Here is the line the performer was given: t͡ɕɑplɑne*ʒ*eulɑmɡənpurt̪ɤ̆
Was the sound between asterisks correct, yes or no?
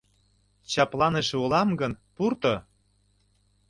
no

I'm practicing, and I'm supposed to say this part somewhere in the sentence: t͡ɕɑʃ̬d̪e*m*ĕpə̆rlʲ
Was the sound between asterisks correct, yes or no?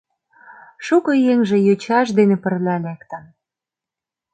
no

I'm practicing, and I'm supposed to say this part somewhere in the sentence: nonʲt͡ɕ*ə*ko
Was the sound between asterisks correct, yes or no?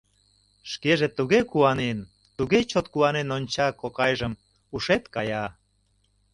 no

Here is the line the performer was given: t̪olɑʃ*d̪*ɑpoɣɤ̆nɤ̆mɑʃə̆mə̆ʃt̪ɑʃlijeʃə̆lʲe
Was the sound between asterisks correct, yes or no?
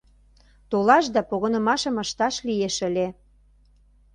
yes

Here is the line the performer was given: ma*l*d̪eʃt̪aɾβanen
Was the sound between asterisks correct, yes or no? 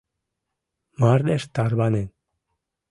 no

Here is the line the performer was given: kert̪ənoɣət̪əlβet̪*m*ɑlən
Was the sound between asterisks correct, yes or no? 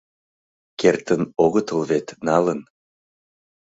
no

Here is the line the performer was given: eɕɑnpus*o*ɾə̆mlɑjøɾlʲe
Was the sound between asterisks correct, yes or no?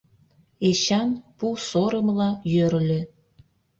yes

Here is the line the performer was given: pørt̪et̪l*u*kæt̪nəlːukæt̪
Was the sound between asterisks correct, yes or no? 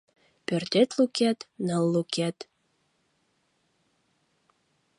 yes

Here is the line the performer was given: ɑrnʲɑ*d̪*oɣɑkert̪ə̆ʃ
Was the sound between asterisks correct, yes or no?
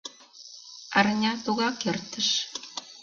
no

